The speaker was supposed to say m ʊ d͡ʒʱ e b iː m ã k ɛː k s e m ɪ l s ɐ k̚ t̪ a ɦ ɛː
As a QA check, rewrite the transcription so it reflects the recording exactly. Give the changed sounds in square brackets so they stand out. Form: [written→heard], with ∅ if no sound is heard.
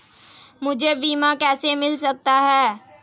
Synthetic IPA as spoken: m ʊ d͡ʒʱ e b iː m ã k ɛː [k→∅] s e m ɪ l s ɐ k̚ t̪ a ɦ ɛː